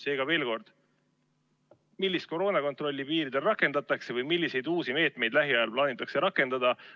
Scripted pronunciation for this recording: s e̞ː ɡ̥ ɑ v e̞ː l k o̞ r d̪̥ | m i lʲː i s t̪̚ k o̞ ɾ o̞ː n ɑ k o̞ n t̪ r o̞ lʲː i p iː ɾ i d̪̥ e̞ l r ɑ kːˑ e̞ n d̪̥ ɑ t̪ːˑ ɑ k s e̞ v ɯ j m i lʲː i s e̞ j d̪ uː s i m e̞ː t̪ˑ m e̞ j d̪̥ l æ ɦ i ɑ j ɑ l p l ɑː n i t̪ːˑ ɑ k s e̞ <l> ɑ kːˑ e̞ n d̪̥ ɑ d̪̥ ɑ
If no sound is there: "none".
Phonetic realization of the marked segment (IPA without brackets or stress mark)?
ɾ